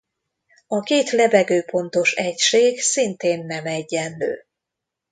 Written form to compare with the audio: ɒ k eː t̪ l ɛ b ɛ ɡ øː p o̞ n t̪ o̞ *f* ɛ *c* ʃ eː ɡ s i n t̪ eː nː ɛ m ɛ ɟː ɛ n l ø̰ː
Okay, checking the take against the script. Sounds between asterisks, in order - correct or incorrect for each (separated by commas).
incorrect, correct